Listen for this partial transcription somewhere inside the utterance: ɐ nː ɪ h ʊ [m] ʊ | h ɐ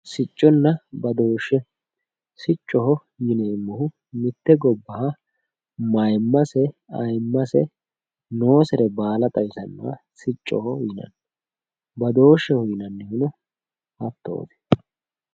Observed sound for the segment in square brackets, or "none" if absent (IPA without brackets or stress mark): n